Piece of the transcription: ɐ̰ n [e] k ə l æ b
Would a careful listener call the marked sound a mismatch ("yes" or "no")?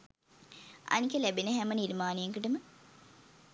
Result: yes